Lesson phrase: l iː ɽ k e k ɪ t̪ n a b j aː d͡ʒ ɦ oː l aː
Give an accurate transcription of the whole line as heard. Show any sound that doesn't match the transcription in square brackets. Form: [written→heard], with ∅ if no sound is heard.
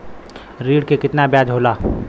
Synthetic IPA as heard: [l→ɾ] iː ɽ k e k ɪ t̪ n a b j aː d͡ʒ ɦ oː l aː